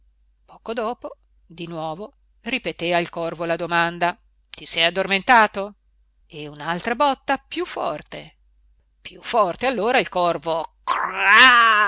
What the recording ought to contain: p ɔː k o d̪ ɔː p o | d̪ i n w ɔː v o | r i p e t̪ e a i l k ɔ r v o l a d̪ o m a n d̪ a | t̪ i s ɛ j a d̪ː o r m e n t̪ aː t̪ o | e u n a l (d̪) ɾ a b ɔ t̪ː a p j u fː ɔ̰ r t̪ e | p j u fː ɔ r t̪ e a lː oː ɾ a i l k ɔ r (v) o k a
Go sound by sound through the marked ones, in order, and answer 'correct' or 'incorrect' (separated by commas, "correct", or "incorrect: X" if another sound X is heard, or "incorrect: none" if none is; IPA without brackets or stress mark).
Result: incorrect: t̪, correct